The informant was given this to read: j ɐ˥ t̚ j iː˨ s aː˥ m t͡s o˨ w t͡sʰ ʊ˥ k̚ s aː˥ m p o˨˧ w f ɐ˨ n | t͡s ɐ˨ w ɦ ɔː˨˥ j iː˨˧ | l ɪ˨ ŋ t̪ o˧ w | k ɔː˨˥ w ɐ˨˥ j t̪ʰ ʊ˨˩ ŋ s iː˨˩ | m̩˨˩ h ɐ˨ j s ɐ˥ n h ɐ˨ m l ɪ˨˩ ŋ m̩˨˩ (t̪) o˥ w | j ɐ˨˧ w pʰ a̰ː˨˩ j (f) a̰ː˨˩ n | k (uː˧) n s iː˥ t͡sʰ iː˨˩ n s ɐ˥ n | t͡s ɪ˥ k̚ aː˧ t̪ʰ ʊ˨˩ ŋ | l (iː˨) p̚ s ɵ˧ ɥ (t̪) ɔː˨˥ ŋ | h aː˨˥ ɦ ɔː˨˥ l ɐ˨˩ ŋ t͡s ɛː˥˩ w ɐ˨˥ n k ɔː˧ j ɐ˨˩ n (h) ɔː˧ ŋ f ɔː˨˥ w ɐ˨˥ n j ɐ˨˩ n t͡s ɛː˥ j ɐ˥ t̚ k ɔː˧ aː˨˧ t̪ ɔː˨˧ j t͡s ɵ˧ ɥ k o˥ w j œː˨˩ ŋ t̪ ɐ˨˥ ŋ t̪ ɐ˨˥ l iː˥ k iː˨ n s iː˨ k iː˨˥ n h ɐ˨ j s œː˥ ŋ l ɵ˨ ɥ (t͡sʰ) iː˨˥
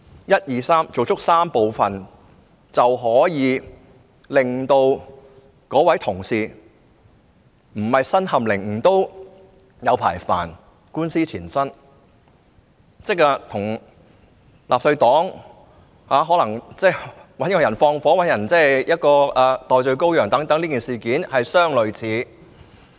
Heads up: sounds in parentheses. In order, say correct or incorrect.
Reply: correct, correct, incorrect: uː˥, incorrect: aː˨, correct, incorrect: f, correct

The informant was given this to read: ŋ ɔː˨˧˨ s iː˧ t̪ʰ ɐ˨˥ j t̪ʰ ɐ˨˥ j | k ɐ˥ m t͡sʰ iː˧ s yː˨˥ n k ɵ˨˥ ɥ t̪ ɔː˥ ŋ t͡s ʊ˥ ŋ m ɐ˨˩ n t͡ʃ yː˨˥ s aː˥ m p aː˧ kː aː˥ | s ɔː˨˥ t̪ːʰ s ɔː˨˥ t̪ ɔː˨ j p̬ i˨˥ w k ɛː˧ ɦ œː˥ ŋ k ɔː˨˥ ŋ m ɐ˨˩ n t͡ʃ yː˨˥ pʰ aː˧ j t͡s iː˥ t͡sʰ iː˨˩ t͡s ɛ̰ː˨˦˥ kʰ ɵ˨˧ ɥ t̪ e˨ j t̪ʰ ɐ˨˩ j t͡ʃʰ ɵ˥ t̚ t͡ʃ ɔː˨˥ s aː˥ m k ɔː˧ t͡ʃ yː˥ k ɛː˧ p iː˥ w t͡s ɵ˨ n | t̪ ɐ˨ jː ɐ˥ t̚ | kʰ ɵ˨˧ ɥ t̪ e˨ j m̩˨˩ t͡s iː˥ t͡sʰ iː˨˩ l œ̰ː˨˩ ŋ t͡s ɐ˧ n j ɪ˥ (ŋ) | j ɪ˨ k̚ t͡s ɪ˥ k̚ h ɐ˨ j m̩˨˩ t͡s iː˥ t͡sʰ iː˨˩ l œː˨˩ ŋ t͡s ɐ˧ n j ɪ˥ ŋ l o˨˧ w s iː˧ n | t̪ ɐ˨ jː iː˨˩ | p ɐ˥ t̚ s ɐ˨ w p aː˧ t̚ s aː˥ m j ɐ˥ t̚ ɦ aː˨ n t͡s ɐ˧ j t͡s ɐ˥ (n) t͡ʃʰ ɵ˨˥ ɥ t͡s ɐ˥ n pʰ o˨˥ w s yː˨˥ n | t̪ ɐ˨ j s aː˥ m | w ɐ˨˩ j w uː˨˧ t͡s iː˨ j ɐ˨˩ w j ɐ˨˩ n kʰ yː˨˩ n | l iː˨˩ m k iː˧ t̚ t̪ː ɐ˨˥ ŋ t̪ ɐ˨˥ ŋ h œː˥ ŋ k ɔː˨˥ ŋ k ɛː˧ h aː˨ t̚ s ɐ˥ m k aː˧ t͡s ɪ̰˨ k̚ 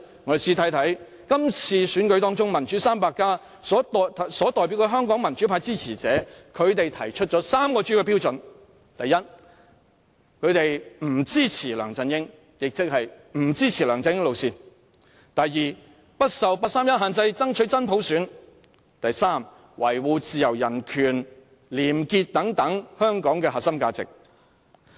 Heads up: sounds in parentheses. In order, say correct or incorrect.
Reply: correct, incorrect: ŋ

